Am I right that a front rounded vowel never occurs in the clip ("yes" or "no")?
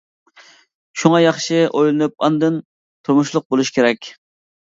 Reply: yes